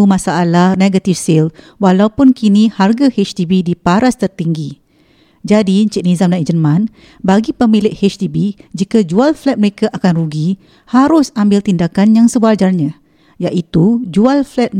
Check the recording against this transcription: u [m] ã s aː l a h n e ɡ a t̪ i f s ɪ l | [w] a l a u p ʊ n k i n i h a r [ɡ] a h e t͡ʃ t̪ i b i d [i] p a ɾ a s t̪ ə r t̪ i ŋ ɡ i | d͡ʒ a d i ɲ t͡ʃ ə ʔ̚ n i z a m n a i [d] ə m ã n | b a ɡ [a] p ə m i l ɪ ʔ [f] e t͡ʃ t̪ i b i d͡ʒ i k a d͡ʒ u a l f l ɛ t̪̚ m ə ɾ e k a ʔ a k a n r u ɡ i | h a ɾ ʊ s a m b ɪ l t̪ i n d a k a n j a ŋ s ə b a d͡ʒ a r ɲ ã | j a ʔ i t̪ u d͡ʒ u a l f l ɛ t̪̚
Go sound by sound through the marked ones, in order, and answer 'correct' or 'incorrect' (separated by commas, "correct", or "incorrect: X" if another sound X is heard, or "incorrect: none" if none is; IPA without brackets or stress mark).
correct, correct, correct, correct, incorrect: d͡ʒ, incorrect: i, incorrect: h